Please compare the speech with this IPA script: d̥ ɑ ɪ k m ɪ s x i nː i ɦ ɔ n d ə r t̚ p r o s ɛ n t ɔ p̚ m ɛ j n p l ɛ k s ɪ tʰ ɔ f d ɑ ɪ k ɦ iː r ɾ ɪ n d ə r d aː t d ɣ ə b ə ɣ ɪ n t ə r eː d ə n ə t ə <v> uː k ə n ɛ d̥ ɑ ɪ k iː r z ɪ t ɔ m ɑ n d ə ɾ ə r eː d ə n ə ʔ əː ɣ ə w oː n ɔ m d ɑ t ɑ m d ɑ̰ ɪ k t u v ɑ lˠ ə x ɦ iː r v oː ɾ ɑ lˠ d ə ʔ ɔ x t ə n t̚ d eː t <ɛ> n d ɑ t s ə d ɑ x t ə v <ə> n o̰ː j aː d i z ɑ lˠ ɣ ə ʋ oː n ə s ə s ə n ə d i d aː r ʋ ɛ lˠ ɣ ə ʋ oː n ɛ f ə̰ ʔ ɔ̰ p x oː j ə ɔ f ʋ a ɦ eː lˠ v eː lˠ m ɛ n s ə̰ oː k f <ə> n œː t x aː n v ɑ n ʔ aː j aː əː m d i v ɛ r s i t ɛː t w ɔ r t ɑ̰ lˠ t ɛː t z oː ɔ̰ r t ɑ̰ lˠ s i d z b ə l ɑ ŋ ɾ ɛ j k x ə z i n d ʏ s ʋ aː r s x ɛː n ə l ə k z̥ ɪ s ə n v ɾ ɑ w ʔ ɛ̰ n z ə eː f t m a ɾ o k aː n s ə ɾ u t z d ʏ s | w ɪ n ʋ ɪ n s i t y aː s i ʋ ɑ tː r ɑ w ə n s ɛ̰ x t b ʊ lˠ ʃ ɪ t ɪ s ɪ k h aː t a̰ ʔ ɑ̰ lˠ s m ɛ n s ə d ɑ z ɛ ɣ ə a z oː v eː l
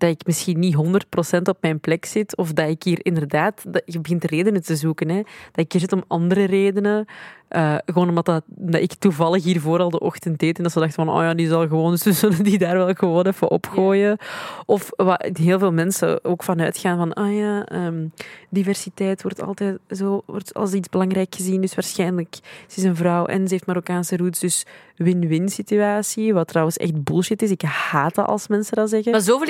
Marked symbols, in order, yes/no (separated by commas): no, yes, no, no